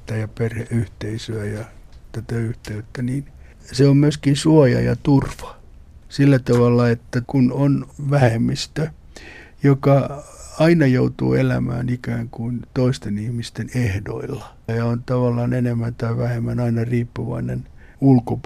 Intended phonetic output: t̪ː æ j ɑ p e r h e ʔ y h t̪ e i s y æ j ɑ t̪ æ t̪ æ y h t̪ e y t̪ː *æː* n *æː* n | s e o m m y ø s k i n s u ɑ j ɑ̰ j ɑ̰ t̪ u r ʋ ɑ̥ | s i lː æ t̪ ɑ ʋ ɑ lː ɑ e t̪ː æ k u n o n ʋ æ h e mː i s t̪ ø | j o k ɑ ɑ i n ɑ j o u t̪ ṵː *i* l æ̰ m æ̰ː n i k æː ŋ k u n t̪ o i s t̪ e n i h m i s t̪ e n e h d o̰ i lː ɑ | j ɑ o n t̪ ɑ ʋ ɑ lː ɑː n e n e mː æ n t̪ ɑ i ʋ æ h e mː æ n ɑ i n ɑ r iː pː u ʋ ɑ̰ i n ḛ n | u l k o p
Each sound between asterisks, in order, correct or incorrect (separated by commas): incorrect, incorrect, incorrect